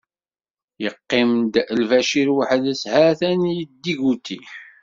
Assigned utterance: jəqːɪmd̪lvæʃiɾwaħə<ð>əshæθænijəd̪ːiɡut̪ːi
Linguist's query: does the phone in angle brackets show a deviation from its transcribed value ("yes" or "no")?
no